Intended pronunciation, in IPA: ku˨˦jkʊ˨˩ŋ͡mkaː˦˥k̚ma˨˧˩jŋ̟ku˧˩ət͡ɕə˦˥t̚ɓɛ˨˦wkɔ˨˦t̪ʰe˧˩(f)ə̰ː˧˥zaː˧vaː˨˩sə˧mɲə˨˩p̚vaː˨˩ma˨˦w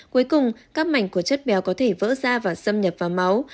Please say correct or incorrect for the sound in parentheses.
incorrect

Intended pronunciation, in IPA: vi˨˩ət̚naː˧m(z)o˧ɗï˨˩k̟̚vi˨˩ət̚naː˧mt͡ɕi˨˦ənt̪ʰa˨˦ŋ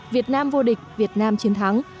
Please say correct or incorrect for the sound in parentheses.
incorrect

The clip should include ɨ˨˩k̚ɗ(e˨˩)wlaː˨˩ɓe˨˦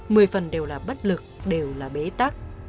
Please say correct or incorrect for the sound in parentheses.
correct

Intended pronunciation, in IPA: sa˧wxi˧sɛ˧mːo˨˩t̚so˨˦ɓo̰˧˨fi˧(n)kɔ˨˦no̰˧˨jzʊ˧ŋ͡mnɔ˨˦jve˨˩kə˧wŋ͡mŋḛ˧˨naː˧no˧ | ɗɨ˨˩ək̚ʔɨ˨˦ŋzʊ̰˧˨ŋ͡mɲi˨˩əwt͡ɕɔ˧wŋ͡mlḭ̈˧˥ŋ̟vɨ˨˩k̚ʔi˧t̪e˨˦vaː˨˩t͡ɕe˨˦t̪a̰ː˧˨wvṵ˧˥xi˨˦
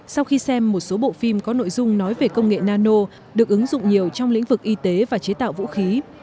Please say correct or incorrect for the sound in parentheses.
incorrect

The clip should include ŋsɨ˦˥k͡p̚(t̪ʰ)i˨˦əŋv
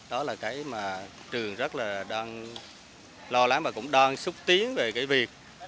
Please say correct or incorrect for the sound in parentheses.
incorrect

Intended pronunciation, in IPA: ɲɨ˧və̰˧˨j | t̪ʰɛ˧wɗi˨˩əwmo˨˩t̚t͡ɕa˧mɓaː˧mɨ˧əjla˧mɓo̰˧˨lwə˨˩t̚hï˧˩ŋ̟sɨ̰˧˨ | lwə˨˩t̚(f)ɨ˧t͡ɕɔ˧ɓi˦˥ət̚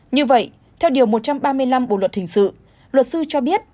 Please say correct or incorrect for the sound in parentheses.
incorrect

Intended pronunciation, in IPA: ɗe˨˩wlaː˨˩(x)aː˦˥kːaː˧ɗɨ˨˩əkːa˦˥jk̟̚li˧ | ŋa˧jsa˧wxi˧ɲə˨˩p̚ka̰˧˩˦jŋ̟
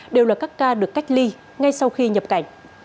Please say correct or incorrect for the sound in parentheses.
incorrect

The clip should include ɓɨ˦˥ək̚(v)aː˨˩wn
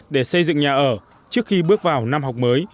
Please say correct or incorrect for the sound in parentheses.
correct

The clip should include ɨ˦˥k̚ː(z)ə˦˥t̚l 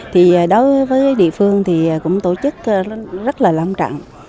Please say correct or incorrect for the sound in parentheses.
correct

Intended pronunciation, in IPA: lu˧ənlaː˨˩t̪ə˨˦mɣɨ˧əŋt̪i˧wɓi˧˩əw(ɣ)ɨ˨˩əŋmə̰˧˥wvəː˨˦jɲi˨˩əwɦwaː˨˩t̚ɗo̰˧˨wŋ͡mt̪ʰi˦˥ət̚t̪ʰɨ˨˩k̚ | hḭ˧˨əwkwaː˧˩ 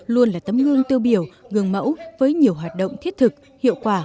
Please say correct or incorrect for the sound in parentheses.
correct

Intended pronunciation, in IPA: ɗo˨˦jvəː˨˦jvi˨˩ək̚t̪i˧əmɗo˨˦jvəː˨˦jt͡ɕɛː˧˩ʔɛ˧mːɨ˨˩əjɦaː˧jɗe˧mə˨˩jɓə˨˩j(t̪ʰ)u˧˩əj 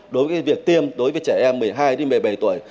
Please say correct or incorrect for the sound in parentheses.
incorrect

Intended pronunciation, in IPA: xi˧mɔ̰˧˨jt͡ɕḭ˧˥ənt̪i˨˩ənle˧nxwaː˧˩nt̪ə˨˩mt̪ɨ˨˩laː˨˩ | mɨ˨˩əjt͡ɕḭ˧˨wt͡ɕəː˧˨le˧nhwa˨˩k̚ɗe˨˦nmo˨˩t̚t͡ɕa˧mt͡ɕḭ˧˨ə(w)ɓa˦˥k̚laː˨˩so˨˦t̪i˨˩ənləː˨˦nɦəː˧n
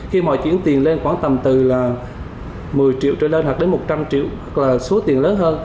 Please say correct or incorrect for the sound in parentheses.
correct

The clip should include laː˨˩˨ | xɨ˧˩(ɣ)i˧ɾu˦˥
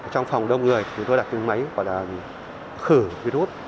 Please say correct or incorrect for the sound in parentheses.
incorrect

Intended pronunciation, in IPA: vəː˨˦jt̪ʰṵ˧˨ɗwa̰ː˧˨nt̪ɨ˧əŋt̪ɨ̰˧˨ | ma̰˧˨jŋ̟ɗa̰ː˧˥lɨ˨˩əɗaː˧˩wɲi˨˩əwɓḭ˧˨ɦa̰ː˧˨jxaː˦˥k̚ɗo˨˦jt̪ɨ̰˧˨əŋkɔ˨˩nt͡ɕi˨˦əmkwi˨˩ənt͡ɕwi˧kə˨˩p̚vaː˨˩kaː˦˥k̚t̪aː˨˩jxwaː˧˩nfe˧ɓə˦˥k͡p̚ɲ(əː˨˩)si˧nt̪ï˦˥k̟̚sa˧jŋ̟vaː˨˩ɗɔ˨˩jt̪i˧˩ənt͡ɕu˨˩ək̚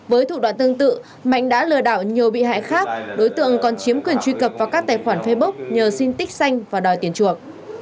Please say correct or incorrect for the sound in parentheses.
correct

